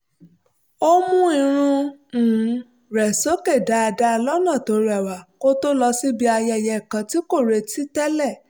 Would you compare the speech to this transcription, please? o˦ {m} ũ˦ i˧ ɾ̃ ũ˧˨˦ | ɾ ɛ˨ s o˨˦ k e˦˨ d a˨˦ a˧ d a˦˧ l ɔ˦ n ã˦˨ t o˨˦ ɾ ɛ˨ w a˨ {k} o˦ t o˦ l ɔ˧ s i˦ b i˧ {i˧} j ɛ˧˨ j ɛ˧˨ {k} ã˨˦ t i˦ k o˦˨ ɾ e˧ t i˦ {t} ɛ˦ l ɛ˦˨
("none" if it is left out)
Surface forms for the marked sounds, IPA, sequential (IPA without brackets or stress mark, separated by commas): m, k, a˧, k, t